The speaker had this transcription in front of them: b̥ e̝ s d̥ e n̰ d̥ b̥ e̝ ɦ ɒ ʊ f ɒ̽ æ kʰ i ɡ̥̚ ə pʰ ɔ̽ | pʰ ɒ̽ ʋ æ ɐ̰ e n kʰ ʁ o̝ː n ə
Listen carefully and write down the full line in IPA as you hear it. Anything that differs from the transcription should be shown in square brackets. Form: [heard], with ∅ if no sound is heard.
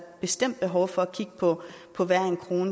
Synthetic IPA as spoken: b̥ e̝ s d̥ e [m̰] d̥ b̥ e̝ ɦ ɒ ʊ f ɒ̽ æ kʰ i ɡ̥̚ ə pʰ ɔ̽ | pʰ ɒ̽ ʋ æ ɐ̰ e n kʰ ʁ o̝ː n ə